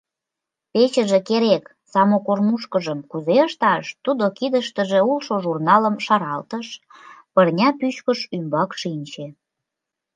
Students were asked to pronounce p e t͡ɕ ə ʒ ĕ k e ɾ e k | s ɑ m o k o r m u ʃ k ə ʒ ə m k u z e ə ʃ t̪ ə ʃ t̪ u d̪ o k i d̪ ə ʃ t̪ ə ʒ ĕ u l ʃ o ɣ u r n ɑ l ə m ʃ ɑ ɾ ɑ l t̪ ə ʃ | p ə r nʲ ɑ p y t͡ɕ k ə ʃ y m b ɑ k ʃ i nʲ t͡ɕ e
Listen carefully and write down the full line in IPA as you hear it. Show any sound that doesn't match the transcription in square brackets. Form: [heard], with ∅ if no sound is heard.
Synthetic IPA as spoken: p e t͡ɕ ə ʒ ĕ k e ɾ e k | s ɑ m o k o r m u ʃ k ə ʒ ə m k u z e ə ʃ t̪ [ɑ] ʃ t̪ u d̪ o k i d̪ ə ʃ t̪ ə ʒ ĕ u l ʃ o [ʒ] u r n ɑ l ə m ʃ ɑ ɾ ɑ l t̪ ə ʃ | p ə r nʲ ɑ p y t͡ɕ k ə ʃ y m b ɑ k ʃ i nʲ t͡ɕ e